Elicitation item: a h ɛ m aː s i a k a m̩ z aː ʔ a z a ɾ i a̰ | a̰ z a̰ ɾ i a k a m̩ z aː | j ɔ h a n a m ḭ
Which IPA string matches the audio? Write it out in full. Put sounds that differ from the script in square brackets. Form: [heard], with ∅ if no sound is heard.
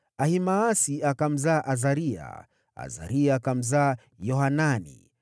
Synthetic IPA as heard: a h [i] m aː s i a k a m̩ z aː ʔ a z a ɾ i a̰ | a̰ z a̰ ɾ i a k a m̩ z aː | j ɔ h a n a [n] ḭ